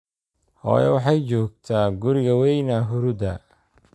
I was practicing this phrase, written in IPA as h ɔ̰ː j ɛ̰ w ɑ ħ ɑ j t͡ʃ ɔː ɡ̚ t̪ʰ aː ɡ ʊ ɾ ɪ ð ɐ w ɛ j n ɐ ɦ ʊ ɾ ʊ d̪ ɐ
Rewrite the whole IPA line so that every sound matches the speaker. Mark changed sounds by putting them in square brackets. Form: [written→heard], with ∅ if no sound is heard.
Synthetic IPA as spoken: h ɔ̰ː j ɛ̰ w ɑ ħ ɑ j t͡ʃ ɔː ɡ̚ t̪ʰ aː ɡ ʊ ɾ ɪ [ð→ɣ] ɐ w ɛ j n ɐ ɦ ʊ ɾ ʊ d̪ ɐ